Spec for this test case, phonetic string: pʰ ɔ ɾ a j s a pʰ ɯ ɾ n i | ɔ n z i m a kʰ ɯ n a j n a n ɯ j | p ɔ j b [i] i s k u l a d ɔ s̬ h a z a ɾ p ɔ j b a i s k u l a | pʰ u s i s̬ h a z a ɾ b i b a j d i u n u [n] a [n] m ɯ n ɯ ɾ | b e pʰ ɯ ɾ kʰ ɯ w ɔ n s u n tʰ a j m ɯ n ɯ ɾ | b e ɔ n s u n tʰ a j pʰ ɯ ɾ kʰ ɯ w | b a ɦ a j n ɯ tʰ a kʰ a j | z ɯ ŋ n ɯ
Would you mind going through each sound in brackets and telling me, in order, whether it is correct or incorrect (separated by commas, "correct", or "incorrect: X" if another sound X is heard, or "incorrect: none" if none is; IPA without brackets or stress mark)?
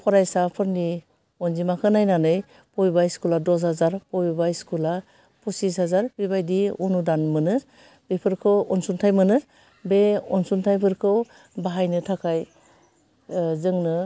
incorrect: a, incorrect: d, correct